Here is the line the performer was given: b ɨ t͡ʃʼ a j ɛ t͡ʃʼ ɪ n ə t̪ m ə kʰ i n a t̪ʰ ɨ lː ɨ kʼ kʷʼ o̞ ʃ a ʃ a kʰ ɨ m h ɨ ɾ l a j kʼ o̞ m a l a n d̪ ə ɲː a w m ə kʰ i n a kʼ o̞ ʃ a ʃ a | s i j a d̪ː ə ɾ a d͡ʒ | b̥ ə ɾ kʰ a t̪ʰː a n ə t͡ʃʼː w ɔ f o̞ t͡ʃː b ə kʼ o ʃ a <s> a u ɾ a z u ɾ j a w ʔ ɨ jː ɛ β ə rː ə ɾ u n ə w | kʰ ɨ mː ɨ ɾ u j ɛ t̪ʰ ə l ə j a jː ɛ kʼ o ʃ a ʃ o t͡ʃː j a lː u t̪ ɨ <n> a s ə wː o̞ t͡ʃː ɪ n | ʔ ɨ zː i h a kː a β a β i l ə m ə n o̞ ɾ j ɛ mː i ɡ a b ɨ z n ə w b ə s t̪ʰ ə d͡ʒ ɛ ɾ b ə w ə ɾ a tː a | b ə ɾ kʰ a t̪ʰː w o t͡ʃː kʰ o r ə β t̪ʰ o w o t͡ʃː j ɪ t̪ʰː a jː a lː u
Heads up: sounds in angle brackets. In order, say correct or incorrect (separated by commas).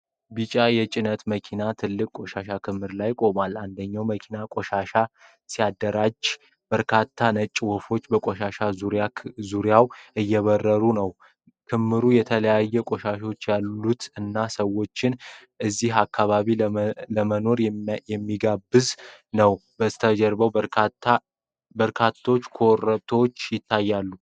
incorrect, incorrect